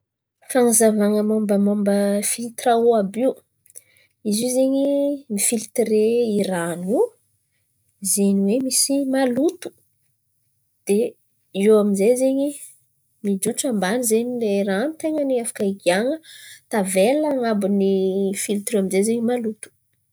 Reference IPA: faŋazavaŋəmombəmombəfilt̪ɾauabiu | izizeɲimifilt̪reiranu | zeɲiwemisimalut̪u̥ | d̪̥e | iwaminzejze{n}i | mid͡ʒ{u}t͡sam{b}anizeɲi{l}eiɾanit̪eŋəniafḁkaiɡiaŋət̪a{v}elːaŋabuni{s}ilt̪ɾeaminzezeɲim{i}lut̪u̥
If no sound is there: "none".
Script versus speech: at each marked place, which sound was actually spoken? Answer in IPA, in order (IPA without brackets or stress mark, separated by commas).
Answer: ɲ, u, b, l, v, f, a